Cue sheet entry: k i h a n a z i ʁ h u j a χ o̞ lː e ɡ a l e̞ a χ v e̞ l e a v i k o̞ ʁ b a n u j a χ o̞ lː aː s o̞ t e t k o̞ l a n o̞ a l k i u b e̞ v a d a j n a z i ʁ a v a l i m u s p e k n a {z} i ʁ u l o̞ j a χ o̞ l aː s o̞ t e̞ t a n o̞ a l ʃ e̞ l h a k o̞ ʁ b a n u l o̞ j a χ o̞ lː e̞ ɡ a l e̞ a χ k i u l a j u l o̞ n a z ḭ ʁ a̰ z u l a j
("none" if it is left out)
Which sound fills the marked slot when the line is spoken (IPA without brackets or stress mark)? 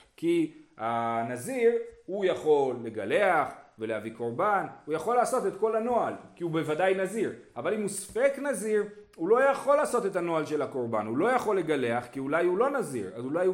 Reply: z